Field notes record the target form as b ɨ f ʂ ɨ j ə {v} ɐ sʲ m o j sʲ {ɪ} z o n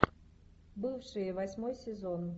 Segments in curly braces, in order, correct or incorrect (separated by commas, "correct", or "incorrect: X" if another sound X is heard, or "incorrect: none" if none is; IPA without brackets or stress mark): correct, correct